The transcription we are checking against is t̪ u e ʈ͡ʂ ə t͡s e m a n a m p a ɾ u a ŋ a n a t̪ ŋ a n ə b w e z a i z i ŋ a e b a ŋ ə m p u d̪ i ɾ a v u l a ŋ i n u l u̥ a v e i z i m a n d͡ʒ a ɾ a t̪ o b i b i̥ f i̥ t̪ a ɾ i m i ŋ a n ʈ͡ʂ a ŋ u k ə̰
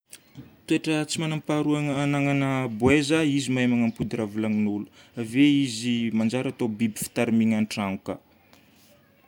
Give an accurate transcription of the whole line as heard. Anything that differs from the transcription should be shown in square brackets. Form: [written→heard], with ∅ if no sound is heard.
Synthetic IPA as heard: t̪ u e ʈ͡ʂ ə t͡s [e→i] m a n a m p a ɾ u a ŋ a n a [t̪→∅] ŋ a n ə b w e z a i z i [ŋ→m] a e [b→m] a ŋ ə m p u d̪ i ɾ a v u l a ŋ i n u l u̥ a v e i z i m a n d͡ʒ a ɾ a t̪ o b i b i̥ f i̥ t̪ a ɾ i m i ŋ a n ʈ͡ʂ a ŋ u k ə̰